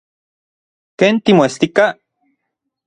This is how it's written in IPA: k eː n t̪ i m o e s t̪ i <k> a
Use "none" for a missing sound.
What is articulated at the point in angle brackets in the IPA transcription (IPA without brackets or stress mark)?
k